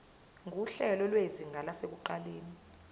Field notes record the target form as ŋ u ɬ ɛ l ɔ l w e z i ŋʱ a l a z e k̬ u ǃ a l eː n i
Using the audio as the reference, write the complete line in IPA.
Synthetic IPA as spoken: ŋ u ɬ ɛ l ɔ l w e z i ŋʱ a l a s e k̬ u ǃ a l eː n i